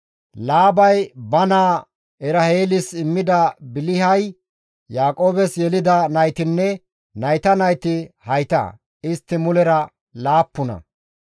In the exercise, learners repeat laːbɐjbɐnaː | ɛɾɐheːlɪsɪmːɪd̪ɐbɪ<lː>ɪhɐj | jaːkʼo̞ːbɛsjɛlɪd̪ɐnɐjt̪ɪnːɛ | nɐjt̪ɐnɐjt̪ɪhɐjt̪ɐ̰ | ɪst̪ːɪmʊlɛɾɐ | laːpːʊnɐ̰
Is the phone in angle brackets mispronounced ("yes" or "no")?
yes